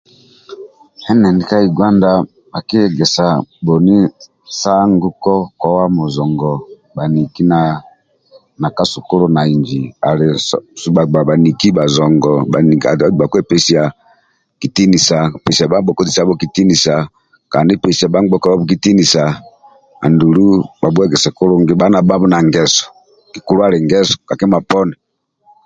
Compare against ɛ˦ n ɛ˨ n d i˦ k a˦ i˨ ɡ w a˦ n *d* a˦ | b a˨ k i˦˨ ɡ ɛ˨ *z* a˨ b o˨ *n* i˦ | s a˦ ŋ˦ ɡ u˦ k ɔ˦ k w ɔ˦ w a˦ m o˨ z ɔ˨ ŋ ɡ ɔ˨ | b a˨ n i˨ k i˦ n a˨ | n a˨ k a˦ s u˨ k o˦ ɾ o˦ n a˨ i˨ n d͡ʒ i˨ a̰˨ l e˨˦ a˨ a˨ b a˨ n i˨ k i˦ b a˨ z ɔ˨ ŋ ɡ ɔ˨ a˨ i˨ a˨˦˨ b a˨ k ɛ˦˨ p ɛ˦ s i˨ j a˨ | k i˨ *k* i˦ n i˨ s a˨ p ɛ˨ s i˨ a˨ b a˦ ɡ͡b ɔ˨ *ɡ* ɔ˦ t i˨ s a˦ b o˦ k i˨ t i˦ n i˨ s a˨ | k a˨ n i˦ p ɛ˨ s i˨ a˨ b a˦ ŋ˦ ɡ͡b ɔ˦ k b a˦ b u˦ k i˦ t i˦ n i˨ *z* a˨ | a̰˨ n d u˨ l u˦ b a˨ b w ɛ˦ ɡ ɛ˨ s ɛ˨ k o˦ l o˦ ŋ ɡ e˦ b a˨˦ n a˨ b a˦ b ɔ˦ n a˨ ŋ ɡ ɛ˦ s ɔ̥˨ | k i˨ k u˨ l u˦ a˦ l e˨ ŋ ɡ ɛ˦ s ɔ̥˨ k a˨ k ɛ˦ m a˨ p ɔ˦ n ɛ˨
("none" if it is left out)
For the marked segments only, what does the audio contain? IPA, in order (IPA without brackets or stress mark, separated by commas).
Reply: d, s, n, t, k, s